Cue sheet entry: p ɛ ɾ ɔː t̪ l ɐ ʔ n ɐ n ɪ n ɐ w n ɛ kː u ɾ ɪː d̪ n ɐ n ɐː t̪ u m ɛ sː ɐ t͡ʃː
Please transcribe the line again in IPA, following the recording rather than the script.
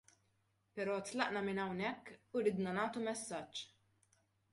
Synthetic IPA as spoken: p ɛ ɾ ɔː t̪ l ɐ ʔ n ɐ m ɪ n ɐ w n ɛ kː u ɾ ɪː d̪ n ɐ n ɐː t̪ u m ɛ sː ɐ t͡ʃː